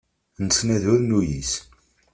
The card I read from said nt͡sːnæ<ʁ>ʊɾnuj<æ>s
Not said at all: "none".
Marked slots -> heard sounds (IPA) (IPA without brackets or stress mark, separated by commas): ð, i